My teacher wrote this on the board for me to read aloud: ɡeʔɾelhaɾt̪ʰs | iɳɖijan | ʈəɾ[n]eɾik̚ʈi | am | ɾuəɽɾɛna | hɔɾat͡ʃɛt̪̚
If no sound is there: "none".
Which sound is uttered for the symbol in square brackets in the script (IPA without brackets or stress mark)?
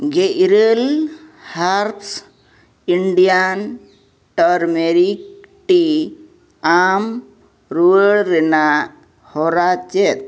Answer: m